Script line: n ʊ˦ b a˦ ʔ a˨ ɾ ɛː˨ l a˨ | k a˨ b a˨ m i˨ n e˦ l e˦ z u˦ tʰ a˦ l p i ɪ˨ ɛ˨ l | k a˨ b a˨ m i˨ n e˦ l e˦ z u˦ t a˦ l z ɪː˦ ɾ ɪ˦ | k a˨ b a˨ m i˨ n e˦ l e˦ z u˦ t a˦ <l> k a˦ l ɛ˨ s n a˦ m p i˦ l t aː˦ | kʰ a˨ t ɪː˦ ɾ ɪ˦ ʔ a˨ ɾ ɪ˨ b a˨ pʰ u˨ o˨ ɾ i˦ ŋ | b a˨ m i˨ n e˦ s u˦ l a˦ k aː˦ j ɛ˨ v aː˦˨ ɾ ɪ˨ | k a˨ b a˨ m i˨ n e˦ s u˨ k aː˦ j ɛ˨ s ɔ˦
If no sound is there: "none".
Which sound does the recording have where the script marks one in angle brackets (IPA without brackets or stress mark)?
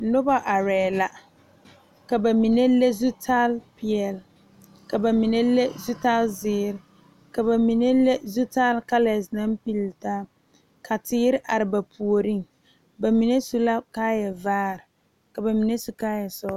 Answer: l